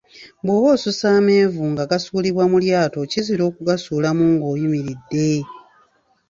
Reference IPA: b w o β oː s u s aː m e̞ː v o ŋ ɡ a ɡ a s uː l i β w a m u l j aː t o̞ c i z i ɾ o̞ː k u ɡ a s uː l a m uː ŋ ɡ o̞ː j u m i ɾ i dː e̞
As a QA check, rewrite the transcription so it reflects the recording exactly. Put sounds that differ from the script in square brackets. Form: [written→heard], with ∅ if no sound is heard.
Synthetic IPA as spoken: b w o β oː s u s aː m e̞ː v [o→u] ŋ ɡ a ɡ a s uː l i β w a m u l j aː t o̞ c i z i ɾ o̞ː k u ɡ a s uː l a m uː ŋ ɡ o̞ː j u m i ɾ i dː e̞